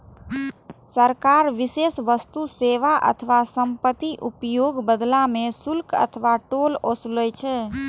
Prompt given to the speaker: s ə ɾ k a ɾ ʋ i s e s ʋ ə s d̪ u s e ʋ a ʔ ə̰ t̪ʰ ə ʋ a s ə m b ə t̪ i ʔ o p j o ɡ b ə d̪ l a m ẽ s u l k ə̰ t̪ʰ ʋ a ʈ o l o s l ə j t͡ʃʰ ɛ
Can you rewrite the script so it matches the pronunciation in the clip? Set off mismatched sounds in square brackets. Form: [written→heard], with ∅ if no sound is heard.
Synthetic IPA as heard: s ə ɾ k a ɾ ʋ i s e s ʋ ə s [d̪→t̪] u s e ʋ a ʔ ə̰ t̪ʰ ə ʋ a s ə m [b→p] ə t̪ i ʔ [o→u] p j o ɡ b ə d̪ l a m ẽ s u l k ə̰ t̪ʰ ʋ a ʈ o l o s l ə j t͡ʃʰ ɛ